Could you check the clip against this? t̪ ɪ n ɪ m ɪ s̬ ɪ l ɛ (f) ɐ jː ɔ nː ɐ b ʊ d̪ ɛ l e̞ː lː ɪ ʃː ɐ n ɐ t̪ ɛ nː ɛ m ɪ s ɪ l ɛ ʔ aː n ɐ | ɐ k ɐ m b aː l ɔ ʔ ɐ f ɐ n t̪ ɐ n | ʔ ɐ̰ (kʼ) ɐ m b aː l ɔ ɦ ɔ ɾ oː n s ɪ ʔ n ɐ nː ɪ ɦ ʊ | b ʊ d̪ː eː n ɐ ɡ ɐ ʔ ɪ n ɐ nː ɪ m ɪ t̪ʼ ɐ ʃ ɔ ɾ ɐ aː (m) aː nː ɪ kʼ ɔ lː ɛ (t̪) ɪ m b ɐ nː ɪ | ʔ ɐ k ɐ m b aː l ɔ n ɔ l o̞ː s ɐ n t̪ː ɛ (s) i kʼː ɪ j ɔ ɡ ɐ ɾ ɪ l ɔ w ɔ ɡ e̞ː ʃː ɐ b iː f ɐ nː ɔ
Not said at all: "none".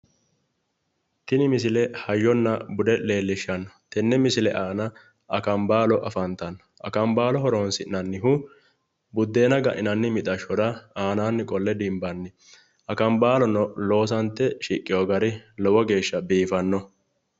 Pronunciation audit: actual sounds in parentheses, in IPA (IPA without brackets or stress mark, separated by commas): h, k, n, d̪, ʃ